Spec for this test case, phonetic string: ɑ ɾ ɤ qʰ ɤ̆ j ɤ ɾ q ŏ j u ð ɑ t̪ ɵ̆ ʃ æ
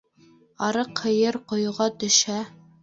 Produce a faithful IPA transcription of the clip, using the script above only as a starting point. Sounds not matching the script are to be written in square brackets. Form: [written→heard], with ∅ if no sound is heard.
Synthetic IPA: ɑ ɾ ɤ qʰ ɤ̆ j ɤ ɾ q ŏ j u [ð→ʁ] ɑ t̪ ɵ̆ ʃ æ

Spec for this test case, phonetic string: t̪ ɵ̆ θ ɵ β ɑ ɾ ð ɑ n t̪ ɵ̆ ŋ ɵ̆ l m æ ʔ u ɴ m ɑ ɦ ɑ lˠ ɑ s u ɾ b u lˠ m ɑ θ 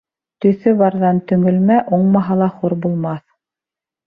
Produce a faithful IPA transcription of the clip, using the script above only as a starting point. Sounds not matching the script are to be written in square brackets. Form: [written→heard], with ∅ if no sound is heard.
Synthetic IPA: t̪ ɵ̆ θ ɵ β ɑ ɾ ð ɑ n t̪ ɵ̆ ŋ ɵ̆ l m æ ʔ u ɴ m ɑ ɦ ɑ lˠ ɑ [s→χ] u ɾ b u lˠ m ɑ θ

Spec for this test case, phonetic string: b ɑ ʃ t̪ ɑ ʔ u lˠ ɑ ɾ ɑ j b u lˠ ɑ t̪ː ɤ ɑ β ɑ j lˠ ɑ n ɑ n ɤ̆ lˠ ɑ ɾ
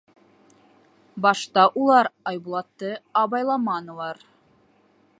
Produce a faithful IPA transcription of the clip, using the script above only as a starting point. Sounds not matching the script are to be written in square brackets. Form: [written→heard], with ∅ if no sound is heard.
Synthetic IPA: b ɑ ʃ t̪ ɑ ʔ u lˠ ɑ ɾ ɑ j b u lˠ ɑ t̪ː ɤ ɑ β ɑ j lˠ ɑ [n→m] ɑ n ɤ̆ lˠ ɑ ɾ

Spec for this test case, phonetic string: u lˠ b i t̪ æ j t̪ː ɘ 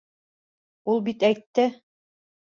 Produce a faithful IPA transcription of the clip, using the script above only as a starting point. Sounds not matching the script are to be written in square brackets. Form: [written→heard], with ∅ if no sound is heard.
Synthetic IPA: u lˠ b i t̪ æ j t̪ː ɘ

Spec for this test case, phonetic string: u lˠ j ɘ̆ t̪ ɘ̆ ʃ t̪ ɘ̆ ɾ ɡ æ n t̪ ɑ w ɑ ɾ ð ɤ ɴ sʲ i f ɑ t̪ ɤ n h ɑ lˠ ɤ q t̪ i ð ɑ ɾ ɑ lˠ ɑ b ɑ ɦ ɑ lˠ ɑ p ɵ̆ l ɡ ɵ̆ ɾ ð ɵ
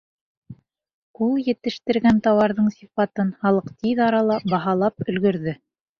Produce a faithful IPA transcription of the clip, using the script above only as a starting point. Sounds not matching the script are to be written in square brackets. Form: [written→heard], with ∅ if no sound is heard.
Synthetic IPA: u lˠ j ɘ̆ t̪ ɘ̆ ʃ t̪ ɘ̆ ɾ ɡ æ n t̪ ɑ w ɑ ɾ ð ɤ ɴ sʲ i f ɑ t̪ ɤ n h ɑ lˠ ɤ q t̪ i ð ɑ ɾ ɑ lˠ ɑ b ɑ ɦ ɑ lˠ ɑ p ɵ̆ l ɡ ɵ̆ ɾ ð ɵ

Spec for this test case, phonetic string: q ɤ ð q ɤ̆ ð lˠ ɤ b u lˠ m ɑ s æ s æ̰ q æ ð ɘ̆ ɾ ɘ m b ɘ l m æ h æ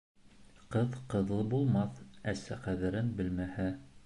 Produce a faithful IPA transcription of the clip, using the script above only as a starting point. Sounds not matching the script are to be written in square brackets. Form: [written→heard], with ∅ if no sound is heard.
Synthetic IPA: q ɤ ð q ɤ̆ ð lˠ ɤ b u lˠ m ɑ [s→θ] æ s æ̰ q æ ð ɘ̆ ɾ ɘ [m→n] b ɘ l m æ h æ

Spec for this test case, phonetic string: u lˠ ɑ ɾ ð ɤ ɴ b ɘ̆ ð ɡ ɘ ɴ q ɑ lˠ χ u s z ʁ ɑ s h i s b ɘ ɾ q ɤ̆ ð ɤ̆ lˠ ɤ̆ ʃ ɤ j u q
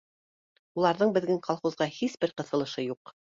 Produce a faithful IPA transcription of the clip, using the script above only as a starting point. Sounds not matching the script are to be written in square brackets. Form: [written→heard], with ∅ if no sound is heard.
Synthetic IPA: u lˠ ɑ ɾ ð ɤ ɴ b ɘ̆ ð ɡ ɘ [ɴ→ŋ] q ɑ lˠ χ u [s→∅] z ʁ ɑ [s→∅] h i s b ɘ ɾ q ɤ̆ [ð→θ] ɤ̆ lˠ ɤ̆ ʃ ɤ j u q

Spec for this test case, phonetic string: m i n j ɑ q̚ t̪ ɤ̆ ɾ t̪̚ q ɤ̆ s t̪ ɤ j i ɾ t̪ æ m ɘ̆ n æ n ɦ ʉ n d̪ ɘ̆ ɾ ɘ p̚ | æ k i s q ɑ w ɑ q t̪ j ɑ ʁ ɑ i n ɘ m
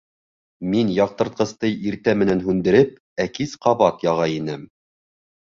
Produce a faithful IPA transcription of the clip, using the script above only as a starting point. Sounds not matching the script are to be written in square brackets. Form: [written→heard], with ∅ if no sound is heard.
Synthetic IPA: m i n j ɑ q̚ t̪ ɤ̆ ɾ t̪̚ q ɤ̆ s t̪ ɤ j i ɾ t̪ æ m ɘ̆ n æ n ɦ ʉ n d̪ ɘ̆ ɾ ɘ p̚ | æ k i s q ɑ [w→β] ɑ [q→∅] t̪ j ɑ ʁ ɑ i n ɘ m

